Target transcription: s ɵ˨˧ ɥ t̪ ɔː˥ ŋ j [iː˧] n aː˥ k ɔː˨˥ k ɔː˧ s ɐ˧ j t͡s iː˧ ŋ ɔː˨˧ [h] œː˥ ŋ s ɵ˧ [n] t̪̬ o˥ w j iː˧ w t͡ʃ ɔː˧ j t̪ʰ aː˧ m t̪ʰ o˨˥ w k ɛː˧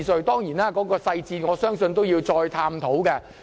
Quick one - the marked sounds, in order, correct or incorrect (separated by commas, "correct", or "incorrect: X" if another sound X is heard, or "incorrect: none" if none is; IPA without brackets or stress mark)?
incorrect: iː˨˩, incorrect: s, correct